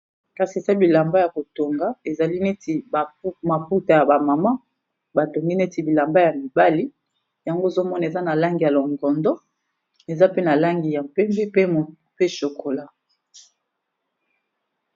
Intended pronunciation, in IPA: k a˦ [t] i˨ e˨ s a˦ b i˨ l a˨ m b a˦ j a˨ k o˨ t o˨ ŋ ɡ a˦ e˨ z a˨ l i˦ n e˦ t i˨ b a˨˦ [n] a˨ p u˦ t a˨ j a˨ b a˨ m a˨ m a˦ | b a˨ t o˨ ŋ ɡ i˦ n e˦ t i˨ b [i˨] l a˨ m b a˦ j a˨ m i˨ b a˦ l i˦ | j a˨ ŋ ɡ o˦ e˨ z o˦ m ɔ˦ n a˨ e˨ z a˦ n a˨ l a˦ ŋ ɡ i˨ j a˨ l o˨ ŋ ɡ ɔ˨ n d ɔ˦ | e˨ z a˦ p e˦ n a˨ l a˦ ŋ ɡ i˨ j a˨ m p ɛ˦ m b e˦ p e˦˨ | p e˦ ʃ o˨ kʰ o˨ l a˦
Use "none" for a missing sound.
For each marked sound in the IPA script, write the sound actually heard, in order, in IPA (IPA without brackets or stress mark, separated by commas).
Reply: s, m, i˨